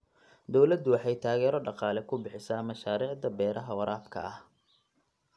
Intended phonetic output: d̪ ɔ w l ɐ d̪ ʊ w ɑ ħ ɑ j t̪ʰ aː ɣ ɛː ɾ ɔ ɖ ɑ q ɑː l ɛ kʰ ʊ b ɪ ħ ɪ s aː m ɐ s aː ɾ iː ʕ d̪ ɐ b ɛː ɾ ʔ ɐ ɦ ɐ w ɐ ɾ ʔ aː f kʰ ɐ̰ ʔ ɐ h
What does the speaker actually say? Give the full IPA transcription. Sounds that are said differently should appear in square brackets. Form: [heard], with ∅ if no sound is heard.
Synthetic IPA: d̪ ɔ w l ɐ d̪ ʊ w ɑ ħ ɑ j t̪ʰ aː ɣ ɛː ɾ ɔ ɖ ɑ q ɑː l ɛ kʰ ʊ b ɪ ħ ɪ s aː m ɐ [ʃ] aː ɾ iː ʕ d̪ ɐ b ɛː ɾ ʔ ɐ ɦ ɐ w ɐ ɾ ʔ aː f kʰ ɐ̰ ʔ ɐ h